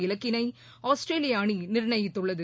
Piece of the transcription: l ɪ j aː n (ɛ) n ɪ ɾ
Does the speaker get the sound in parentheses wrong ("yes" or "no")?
yes